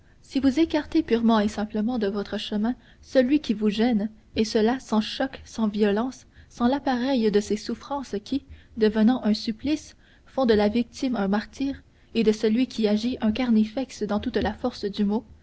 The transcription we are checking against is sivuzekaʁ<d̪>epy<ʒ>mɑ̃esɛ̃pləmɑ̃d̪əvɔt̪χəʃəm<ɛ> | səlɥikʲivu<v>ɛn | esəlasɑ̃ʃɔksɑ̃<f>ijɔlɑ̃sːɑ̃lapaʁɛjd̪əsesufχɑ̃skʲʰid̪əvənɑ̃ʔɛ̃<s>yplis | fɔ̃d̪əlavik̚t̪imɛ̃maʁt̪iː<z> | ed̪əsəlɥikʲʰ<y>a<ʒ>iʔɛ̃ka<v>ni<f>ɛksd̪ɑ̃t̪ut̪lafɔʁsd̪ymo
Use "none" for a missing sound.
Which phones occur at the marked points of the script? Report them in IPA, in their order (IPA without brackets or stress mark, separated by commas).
t̪, ʁ, ɛ̃, ʒ, v, s, ʁ, i, ʒ, ʁ, f